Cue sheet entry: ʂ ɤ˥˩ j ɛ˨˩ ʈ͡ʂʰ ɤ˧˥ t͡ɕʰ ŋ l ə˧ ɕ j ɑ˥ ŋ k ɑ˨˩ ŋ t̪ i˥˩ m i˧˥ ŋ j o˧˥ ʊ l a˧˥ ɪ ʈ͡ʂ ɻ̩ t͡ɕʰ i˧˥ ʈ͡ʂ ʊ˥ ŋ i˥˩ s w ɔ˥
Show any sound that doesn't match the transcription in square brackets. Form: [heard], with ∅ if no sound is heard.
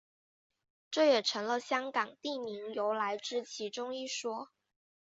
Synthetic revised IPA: [ʈ͡ʂ] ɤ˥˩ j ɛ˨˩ ʈ͡ʂʰ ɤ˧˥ [∅] ŋ l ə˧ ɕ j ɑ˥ ŋ k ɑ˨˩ ŋ t̪ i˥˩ m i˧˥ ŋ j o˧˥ ʊ l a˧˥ ɪ ʈ͡ʂ ɻ̩ t͡ɕʰ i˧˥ ʈ͡ʂ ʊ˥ ŋ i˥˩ [ʂ] w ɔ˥